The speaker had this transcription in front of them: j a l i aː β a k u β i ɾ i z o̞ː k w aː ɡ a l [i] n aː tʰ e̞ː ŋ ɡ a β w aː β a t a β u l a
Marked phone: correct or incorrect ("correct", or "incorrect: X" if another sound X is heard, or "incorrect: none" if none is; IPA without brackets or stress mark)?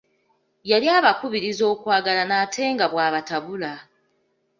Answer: incorrect: a